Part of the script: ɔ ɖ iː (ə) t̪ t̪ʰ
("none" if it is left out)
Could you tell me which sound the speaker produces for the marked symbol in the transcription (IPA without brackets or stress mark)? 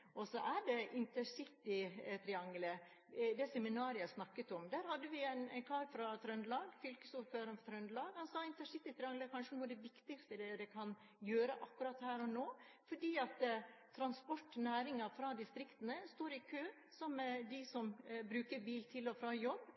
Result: ɑ